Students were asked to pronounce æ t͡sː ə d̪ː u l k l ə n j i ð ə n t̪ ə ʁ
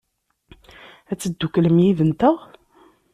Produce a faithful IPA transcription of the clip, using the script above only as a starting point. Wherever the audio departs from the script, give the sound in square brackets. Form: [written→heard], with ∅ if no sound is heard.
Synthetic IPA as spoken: æ t͡sː ə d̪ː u [l→∅] k l ə [n→m] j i ð ə n t̪ ə ʁ